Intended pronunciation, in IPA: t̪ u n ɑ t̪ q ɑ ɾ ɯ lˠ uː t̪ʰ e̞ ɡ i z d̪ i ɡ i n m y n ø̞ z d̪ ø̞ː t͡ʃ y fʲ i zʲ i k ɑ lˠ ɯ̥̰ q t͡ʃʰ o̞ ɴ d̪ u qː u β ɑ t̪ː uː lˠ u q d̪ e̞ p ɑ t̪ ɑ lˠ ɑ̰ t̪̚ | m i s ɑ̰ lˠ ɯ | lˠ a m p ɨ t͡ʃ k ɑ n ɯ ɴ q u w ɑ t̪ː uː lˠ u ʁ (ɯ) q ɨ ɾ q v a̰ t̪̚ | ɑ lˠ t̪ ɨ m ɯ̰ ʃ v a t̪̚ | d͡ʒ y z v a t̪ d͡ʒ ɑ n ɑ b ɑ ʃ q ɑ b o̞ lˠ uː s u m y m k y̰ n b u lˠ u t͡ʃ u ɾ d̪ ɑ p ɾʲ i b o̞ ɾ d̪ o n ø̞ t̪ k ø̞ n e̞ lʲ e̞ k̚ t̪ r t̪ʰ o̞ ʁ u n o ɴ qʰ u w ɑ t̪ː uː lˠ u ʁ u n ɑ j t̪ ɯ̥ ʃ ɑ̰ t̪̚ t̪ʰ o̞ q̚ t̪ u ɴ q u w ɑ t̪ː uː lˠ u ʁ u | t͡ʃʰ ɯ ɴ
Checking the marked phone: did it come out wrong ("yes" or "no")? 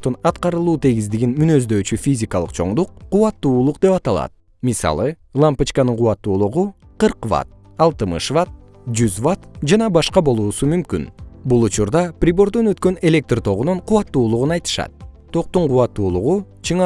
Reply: yes